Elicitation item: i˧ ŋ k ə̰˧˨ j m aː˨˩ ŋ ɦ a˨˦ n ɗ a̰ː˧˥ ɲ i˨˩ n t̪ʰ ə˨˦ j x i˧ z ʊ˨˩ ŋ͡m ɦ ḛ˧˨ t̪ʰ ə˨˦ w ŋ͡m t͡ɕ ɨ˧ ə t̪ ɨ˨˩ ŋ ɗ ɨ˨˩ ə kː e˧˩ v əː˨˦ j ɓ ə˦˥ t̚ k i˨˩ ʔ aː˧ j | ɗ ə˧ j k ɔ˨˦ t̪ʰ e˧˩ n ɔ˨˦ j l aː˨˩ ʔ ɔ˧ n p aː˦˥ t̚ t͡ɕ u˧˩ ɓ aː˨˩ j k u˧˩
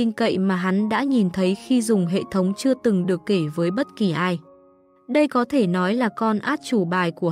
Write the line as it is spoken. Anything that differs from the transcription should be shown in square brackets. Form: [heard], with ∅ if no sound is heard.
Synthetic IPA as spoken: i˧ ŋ k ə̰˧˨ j m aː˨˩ [∅] ɦ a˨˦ n ɗ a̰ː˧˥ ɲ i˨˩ n t̪ʰ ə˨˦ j x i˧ z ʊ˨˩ ŋ͡m ɦ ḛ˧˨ t̪ʰ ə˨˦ w ŋ͡m t͡ɕ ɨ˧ ə t̪ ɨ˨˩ ŋ ɗ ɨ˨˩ ə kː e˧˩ v əː˨˦ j ɓ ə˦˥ t̚ k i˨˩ ʔ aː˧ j | ɗ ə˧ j k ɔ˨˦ t̪ʰ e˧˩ n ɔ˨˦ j l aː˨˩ [k] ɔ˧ n [ʔ] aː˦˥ t̚ t͡ɕ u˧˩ ɓ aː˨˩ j k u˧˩

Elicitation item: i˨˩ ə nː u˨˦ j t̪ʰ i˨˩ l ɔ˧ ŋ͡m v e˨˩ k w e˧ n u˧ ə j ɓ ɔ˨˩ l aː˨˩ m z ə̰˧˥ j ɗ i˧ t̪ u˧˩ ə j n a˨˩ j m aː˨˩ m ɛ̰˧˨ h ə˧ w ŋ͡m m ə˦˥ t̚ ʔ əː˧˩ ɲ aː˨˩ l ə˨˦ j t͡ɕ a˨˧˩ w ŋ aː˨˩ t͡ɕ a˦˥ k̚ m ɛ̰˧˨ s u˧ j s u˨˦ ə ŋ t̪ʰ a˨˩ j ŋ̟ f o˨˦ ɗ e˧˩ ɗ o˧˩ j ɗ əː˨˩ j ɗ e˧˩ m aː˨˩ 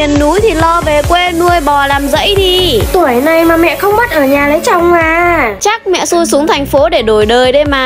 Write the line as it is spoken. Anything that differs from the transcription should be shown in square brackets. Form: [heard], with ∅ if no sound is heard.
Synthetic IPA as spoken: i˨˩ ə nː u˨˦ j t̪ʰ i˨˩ l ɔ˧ [∅] v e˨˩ k w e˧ n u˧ ə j ɓ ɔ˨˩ l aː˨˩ m z ə̰˧˥ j ɗ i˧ t̪ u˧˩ ə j n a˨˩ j m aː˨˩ m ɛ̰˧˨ [x] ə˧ w ŋ͡m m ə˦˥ t̚ ʔ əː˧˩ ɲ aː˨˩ l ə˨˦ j t͡ɕ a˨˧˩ w [ŋ͡m] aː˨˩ t͡ɕ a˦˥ k̚ m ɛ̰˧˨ s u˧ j s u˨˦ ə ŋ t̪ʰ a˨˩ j ŋ̟ f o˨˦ ɗ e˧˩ ɗ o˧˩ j ɗ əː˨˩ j ɗ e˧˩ m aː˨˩

